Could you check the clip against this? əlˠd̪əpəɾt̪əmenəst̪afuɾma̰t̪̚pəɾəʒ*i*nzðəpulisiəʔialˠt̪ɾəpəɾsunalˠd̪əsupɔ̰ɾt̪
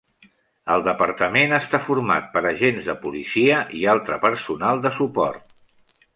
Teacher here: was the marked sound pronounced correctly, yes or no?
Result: no